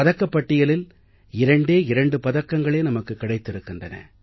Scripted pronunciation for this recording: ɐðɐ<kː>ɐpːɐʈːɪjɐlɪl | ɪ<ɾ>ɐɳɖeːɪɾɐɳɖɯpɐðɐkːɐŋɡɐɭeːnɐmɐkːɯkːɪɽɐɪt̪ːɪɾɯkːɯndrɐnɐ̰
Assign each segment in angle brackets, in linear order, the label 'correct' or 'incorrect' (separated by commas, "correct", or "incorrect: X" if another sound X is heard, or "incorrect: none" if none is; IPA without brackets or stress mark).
correct, correct